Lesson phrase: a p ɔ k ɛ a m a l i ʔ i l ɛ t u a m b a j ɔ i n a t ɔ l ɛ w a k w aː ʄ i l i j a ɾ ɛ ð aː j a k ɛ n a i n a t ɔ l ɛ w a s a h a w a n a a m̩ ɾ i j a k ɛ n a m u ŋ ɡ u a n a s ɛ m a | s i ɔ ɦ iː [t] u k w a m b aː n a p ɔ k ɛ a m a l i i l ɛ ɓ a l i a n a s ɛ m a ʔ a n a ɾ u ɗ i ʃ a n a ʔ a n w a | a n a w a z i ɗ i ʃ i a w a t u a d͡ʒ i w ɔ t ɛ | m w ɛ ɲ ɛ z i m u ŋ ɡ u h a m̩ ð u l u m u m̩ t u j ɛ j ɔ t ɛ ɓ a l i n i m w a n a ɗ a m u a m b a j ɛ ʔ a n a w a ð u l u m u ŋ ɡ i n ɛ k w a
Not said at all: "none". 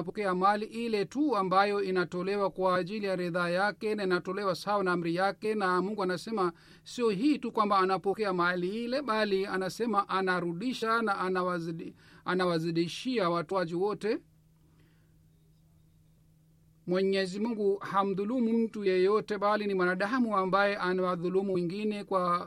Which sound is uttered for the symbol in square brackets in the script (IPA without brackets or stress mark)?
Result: t